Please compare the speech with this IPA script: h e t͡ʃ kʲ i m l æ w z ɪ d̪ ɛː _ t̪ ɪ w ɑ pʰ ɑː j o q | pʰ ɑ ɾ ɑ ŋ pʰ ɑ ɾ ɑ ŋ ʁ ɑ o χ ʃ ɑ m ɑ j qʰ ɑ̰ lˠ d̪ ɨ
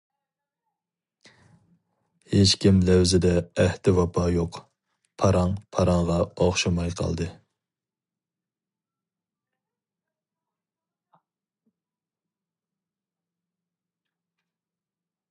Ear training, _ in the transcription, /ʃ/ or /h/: h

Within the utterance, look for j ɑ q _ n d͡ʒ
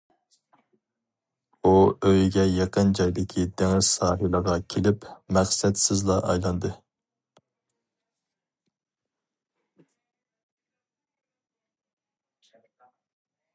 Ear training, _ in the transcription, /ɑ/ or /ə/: ə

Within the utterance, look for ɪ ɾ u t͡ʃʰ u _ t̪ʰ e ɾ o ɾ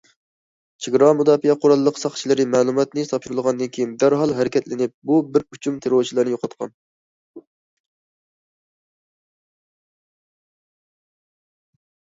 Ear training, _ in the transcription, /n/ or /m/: m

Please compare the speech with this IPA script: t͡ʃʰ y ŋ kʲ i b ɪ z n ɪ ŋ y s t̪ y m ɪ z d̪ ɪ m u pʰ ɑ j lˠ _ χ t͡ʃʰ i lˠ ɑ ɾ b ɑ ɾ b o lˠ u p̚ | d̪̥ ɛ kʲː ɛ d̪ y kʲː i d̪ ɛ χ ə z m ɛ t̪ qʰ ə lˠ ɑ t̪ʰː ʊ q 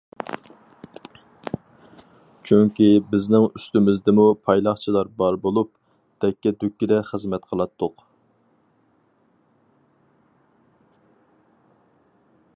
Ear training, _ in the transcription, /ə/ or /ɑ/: ɑ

